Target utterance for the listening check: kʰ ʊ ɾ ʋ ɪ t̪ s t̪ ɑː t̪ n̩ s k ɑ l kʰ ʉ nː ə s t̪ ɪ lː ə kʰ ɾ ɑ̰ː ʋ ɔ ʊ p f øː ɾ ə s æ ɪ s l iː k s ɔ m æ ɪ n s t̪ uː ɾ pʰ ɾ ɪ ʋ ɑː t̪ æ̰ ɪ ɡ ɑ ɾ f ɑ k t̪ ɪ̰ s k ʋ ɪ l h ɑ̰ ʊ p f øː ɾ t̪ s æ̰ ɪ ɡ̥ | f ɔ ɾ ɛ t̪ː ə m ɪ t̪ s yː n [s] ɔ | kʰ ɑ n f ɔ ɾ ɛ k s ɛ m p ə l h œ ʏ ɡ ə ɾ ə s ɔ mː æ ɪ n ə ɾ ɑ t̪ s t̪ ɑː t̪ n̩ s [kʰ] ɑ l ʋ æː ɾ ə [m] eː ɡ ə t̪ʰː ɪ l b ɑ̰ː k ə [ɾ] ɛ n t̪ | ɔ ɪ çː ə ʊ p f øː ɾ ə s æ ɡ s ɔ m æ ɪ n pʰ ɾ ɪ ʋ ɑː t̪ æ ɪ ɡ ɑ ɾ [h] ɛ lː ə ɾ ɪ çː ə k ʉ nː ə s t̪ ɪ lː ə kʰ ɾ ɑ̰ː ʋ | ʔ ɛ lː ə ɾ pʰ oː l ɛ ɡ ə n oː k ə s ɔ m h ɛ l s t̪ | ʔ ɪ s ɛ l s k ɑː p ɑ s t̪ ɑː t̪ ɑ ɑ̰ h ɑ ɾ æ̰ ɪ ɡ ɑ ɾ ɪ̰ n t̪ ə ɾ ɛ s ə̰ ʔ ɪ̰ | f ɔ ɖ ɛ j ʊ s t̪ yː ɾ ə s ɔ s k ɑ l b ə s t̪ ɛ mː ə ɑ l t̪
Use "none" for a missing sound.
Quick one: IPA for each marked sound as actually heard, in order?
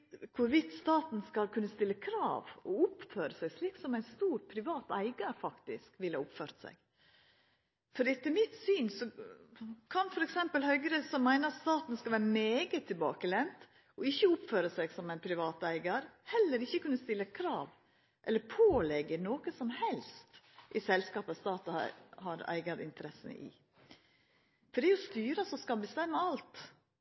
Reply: s, k, m, l, h

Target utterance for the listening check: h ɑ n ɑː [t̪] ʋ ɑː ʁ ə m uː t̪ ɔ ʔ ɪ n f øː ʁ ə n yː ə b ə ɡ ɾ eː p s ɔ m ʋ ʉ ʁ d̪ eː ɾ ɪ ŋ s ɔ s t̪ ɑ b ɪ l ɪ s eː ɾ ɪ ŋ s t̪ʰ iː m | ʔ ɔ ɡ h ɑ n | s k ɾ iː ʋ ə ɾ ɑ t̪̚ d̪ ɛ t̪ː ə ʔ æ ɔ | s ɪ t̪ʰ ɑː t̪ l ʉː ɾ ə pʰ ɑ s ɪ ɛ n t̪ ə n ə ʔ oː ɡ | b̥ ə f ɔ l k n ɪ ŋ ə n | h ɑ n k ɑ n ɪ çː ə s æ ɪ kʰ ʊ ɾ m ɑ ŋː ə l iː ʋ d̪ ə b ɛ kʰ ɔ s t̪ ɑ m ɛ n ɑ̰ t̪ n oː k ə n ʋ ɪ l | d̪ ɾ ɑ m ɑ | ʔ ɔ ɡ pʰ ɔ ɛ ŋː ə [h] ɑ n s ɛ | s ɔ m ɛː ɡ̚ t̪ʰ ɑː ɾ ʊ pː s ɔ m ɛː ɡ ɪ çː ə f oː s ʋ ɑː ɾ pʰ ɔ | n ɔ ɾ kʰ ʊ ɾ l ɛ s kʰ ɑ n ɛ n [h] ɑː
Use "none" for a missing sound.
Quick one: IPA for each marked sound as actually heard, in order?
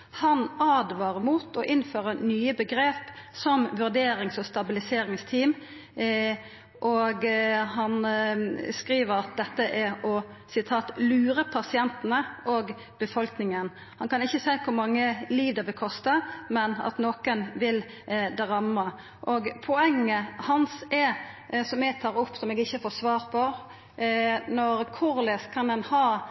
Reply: d̪, h, h

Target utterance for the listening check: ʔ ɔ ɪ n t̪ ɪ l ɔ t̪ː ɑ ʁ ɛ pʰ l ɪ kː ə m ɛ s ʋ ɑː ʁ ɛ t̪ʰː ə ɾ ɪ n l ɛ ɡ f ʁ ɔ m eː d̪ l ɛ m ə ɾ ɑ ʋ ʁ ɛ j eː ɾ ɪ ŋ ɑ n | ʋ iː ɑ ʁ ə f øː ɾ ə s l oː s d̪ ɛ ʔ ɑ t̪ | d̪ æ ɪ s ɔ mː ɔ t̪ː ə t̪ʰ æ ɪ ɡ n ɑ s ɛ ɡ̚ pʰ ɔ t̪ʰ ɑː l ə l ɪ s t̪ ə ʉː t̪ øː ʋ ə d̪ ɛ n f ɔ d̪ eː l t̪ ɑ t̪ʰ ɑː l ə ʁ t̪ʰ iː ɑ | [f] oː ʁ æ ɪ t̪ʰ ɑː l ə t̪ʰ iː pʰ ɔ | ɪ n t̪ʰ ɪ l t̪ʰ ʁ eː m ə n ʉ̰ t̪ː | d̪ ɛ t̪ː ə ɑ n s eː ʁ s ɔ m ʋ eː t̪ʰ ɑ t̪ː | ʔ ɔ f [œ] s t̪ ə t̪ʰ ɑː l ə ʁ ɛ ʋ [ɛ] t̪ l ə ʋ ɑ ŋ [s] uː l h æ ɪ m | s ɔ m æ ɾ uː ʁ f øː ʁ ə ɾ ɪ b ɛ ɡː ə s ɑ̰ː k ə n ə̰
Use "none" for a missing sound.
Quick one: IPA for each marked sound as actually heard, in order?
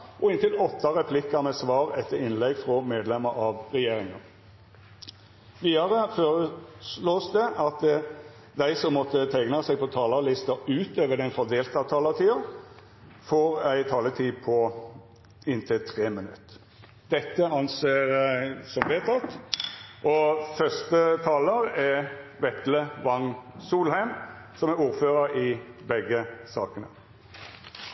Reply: f, œ, ɛ, s

